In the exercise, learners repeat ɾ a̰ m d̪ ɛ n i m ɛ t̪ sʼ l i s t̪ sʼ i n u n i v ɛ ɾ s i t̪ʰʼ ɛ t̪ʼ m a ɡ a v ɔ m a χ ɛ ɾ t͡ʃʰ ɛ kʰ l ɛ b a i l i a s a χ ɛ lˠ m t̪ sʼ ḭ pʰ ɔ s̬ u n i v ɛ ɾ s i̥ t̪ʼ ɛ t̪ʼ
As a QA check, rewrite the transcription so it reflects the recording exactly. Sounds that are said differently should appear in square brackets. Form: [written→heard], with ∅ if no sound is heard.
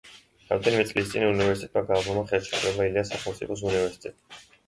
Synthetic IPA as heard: ɾ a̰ m d̪ ɛ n i m ɛ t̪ sʼ l i s t̪ sʼ i n u n i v ɛ ɾ s i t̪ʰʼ ɛ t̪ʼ m a ɡ a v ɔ m a χ ɛ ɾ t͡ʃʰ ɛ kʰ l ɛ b a i l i a s a χ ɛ lˠ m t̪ sʼ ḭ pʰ ɔ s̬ u n i v ɛ ɾ s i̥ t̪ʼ ɛ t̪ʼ